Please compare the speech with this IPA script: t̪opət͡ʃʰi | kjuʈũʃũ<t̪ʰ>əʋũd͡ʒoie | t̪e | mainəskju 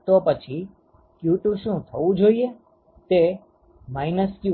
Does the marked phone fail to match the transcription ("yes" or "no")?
no